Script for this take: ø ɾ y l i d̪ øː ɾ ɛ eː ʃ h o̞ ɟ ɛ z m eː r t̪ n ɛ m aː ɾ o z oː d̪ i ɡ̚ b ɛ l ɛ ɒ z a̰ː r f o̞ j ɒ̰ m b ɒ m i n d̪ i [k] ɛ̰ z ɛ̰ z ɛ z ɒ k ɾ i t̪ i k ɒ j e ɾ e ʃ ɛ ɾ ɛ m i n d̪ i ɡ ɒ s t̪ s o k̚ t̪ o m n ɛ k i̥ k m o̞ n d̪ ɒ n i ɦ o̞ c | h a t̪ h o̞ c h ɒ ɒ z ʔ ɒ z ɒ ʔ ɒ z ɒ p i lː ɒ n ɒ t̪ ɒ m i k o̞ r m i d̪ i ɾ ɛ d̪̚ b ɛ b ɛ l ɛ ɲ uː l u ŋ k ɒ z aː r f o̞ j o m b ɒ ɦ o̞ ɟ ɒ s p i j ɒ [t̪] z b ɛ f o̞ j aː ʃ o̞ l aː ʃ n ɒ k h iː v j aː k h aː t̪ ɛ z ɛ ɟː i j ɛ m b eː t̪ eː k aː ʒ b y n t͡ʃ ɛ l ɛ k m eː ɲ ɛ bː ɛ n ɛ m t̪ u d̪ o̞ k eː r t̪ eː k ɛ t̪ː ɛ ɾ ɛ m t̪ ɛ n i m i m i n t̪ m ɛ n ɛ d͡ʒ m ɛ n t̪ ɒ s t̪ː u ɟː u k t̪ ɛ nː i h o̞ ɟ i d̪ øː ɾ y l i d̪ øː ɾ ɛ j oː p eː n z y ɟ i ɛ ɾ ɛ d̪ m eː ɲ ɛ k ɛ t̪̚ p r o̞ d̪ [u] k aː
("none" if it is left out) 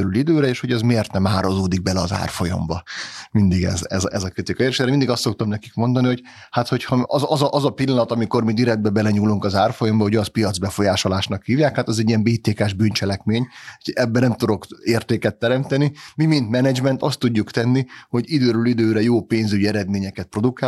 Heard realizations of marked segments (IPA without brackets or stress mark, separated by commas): ɡ, d̪, u